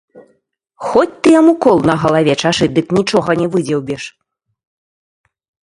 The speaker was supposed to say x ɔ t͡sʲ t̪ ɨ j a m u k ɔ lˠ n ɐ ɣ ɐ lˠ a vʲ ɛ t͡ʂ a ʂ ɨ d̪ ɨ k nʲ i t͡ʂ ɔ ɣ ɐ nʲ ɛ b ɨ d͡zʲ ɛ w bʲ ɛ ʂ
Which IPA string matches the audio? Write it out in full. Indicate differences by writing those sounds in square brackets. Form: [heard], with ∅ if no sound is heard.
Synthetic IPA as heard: x ɔ t͡sʲ t̪ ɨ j a m u k ɔ lˠ n ɐ ɣ ɐ lˠ a vʲ ɛ t͡ʂ a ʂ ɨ d̪ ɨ k nʲ i t͡ʂ ɔ ɣ ɐ nʲ ɛ [v] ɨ d͡zʲ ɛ w bʲ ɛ ʂ

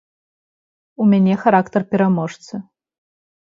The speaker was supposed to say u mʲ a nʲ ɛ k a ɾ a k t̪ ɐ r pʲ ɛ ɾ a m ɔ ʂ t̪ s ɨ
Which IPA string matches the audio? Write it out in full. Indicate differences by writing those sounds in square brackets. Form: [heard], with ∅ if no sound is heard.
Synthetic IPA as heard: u mʲ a nʲ ɛ [x] a ɾ a k t̪ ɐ r pʲ ɛ ɾ a m ɔ ʂ t̪ s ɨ

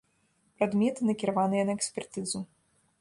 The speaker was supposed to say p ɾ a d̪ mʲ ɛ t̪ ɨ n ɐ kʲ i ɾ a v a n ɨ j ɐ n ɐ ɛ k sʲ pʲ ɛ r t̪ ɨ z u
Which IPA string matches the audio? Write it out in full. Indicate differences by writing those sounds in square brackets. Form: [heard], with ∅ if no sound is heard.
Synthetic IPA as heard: p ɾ a d̪ mʲ ɛ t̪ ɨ n ɐ kʲ i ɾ a v a n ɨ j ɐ n ɐ ɛ k sʲ pʲ ɛ r t̪ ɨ z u

